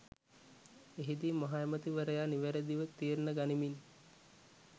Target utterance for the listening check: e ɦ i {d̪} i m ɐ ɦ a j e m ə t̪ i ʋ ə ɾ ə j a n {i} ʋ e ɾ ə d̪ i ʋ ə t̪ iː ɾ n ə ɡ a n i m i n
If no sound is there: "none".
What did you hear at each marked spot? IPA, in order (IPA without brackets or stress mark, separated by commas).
d̪, i